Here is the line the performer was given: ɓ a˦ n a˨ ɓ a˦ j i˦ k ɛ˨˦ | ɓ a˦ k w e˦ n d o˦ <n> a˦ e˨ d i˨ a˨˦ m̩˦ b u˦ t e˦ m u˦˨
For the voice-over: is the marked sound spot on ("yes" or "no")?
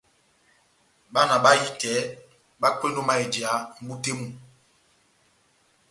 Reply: no